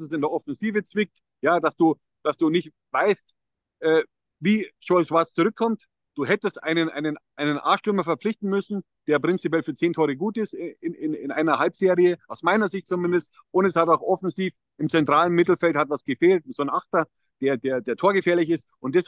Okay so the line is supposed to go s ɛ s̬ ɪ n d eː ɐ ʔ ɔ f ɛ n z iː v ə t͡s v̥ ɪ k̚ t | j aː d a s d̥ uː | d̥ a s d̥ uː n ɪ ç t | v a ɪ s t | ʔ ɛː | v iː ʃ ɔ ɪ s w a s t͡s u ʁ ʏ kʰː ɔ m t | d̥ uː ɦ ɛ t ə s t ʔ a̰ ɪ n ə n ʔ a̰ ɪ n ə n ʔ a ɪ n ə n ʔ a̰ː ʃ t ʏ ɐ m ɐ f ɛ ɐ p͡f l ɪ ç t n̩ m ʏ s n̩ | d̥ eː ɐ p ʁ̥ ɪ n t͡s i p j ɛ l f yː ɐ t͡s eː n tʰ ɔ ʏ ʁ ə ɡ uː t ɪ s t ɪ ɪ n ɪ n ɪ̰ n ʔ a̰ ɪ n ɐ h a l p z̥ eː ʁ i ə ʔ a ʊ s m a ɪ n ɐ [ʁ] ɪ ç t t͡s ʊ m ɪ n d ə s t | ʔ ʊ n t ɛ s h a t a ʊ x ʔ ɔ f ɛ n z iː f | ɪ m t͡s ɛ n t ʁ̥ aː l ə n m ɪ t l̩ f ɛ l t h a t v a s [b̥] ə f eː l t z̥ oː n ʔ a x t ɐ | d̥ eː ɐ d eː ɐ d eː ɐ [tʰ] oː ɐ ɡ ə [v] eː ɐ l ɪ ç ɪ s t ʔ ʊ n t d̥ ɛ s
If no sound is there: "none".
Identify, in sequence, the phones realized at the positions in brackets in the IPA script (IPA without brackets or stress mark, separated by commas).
z, ɡ̥, tʰ, f